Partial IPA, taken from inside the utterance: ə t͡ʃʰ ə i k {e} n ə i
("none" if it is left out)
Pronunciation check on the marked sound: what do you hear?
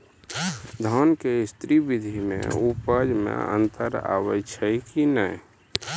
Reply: i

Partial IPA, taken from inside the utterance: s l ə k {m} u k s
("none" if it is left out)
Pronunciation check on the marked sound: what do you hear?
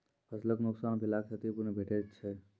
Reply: n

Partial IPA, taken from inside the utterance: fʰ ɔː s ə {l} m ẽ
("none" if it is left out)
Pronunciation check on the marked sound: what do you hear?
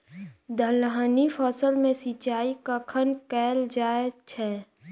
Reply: l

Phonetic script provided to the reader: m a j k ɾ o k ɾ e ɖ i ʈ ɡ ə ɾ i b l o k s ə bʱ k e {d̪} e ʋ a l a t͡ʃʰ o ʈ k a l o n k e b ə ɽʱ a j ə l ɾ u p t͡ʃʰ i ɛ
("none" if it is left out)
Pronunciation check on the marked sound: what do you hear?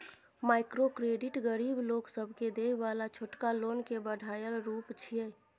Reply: d̪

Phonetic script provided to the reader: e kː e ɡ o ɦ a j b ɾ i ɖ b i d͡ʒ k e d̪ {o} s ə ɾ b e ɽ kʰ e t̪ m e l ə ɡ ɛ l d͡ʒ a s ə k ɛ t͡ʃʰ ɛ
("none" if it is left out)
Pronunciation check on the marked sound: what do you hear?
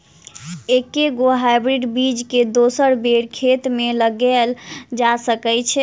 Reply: o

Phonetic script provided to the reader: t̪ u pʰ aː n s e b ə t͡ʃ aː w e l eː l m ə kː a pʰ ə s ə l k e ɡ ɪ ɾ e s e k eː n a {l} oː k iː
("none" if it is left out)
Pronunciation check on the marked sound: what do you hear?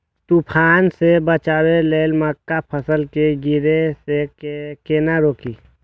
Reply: ɾ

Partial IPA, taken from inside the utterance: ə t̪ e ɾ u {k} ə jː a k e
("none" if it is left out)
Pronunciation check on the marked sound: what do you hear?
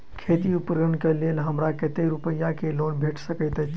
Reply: p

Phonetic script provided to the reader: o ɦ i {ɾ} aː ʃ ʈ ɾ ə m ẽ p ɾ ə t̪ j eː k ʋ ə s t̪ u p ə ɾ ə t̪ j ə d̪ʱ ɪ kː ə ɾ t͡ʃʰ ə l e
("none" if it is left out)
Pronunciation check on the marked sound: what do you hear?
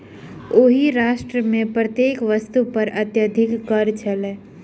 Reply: ɾ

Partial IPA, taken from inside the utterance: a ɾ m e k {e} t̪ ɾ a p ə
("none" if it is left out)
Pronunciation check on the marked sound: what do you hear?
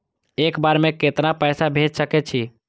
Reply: e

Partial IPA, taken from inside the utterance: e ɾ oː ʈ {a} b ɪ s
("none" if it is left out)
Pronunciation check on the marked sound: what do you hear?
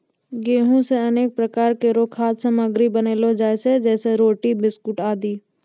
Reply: i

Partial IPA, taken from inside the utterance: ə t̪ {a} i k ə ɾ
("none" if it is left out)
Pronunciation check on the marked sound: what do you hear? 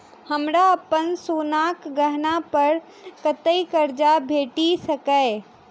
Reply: ə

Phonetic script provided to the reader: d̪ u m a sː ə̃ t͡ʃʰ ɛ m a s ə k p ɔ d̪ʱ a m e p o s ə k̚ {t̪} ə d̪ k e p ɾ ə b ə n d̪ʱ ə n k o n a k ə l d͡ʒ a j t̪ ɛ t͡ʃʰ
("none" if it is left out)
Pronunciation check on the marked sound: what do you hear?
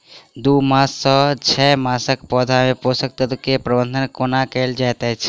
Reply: t̪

